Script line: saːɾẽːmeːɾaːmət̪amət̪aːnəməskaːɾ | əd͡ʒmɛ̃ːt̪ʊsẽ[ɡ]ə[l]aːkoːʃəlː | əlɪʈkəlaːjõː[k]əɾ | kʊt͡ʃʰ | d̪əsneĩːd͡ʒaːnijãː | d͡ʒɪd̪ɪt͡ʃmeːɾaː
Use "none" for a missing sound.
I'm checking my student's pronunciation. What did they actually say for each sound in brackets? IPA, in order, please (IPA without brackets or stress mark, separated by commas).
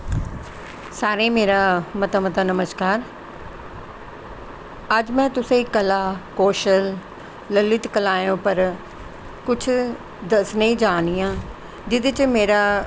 k, l, p